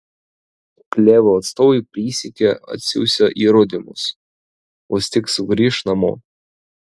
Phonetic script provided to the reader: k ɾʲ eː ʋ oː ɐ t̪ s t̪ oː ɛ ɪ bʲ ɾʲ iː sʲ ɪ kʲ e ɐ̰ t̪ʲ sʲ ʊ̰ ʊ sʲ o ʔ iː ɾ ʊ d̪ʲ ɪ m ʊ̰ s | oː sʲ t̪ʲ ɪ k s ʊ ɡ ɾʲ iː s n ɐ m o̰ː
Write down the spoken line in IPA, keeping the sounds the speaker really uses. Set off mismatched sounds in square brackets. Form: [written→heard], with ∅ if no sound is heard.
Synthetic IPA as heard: k [ɾʲ→lʲ] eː ʋ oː ɐ t̪ s t̪ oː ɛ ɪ [bʲ→pʲ] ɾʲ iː sʲ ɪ kʲ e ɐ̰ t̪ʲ sʲ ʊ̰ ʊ sʲ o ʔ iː ɾ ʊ d̪ʲ ɪ m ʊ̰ s | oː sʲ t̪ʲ ɪ k s ʊ ɡ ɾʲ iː [s→ʃ] n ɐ m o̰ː